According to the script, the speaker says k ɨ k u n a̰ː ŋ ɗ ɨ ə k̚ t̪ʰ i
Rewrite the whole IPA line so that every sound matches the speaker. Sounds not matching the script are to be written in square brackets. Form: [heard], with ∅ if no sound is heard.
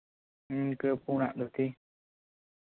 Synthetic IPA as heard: k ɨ [p] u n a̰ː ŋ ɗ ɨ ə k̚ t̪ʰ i